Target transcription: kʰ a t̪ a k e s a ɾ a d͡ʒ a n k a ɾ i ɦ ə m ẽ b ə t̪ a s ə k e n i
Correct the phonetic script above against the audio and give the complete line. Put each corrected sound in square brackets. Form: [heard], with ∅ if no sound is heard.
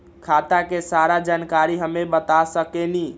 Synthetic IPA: kʰ a t̪ a k e s a ɾ a d͡ʒ a n k a ɾ i ɦ ə m [e] b ə t̪ a s ə k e n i